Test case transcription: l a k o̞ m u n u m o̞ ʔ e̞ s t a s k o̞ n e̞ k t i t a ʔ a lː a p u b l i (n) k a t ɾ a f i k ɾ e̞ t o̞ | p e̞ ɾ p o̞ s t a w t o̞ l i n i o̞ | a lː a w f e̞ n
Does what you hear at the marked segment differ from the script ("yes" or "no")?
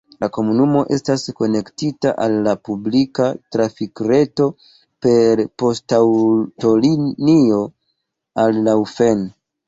yes